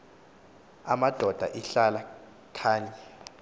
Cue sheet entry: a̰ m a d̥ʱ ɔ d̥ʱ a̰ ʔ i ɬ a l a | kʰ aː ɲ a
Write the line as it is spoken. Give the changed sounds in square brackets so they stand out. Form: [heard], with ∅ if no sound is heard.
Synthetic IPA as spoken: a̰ m a d̥ʱ ɔ d̥ʱ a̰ ʔ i ɬ a l a | kʰ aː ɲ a